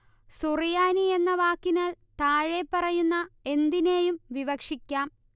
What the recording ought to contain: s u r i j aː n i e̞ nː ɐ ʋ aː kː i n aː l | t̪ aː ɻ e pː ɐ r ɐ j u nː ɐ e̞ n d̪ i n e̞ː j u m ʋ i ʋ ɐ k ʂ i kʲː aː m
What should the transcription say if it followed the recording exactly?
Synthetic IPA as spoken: s u r i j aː n i e̞ nː ɐ ʋ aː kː i n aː l | t̪ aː ɻ e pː ɐ r ɐ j u nː ɐ e̞ n d̪ i n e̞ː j u m ʋ i ʋ ɐ k ʂ i kʲː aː m